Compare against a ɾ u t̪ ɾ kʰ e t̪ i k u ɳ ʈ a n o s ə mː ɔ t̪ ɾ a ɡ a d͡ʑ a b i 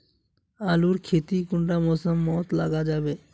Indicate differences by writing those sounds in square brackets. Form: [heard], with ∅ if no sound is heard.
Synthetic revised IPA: a [l] u [∅] ɾ kʰ e t̪ i k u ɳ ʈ a [m] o s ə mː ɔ t̪ [l] a ɡ a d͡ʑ a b [e]